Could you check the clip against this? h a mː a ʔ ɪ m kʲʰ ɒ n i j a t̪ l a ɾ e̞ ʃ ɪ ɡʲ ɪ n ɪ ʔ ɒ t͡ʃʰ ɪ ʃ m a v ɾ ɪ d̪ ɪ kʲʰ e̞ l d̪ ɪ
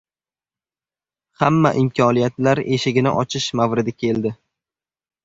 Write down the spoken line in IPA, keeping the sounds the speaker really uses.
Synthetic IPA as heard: h a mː a ʔ ɪ m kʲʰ ɒ n i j a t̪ l a ɾ e̞ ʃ ɪ ɡʲ ɪ n ɪ ʔ ɒ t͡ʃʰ ɪ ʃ m a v ɾ ɪ d̪ ɪ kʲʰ e̞ l d̪ ɪ